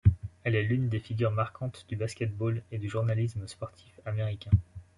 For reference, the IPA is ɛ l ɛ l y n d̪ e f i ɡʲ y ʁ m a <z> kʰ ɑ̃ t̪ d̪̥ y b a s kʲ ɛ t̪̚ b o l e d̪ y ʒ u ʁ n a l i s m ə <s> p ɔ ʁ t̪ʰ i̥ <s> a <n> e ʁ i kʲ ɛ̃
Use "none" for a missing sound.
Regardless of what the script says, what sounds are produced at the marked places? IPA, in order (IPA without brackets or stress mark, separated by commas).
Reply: ʁ, s, f, m